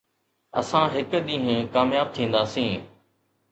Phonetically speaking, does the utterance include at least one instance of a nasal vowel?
yes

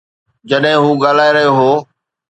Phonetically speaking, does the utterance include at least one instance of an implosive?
yes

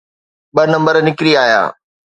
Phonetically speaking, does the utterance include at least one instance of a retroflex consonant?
no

